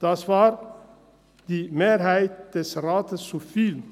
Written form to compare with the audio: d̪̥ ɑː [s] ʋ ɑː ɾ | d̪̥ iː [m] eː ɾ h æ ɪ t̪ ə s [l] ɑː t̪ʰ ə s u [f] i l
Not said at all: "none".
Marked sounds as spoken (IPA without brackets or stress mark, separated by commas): s, m, ɾ, f